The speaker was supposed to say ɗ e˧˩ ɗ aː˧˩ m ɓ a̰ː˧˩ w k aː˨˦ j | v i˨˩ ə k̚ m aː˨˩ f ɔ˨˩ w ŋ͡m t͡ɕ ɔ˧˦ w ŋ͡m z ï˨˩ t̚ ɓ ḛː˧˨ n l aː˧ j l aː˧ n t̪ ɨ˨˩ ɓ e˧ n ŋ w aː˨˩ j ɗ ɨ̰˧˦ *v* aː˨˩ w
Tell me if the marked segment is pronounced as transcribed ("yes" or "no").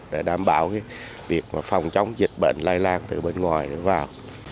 yes